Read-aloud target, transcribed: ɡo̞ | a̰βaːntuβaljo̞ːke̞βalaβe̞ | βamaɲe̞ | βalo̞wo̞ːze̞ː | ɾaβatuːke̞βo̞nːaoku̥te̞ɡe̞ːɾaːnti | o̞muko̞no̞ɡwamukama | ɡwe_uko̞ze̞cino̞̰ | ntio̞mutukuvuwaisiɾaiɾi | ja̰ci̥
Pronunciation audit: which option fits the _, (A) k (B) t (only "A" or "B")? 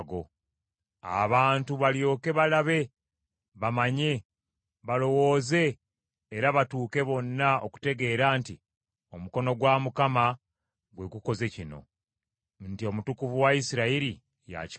A